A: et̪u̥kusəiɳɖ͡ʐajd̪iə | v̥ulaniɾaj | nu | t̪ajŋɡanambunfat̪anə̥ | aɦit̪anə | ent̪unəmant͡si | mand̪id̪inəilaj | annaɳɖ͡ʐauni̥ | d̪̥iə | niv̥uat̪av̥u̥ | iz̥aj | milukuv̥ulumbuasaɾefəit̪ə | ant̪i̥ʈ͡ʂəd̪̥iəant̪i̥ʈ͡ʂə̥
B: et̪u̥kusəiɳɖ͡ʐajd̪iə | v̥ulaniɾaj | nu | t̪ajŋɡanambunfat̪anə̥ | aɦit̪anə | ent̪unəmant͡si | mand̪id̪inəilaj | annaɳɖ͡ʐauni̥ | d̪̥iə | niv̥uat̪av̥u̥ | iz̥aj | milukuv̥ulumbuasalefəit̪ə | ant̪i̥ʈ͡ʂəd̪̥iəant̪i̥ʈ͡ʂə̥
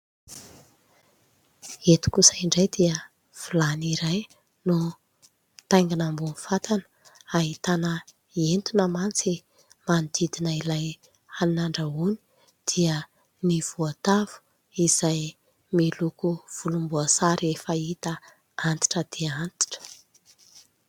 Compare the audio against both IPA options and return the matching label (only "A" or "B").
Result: A